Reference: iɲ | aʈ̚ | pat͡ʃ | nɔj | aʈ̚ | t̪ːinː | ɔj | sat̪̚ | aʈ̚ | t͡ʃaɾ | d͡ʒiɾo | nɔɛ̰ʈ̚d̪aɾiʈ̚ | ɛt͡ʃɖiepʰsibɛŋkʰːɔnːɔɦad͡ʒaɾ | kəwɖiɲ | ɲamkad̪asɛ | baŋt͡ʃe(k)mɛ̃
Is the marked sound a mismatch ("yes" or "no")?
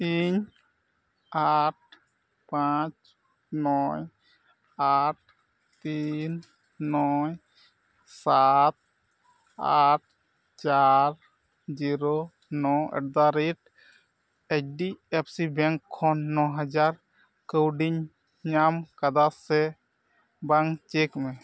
no